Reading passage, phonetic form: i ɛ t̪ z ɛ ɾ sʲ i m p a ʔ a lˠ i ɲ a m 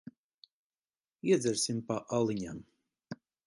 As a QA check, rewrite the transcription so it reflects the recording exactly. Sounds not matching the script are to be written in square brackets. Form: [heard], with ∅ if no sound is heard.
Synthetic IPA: i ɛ [d̪] z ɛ ɾ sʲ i m p a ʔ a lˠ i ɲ a m